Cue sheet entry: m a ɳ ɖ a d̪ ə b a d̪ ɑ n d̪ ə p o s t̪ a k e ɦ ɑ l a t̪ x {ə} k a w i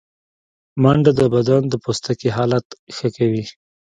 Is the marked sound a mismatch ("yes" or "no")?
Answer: no